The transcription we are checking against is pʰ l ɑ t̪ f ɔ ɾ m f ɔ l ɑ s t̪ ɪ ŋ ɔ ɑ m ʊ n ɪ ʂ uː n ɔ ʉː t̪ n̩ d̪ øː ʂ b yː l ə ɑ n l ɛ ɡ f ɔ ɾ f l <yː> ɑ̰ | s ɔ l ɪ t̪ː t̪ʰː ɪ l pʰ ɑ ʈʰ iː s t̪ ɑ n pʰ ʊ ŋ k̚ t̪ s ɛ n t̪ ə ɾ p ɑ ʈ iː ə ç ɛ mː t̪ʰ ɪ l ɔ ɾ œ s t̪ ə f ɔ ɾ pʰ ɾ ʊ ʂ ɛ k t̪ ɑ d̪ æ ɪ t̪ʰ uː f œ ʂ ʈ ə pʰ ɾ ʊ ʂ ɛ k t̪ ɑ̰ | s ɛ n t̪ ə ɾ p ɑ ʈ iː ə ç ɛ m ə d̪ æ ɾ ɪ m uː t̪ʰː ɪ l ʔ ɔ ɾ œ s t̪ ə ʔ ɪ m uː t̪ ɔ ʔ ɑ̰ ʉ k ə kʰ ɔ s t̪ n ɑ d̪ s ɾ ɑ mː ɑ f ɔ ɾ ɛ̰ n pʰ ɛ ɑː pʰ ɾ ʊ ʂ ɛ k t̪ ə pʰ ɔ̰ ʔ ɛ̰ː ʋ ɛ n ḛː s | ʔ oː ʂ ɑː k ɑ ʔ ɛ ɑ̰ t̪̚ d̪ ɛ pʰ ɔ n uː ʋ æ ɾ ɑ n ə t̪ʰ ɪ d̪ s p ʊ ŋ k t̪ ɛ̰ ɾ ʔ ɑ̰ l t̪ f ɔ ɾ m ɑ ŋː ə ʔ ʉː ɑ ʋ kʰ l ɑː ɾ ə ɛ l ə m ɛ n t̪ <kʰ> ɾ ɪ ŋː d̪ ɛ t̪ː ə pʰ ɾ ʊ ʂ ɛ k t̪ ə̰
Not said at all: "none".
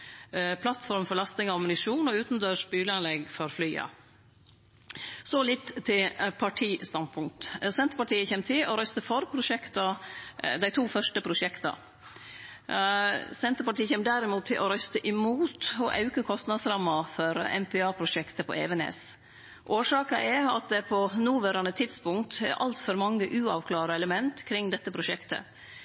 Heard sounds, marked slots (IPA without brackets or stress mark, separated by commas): yː, kʰ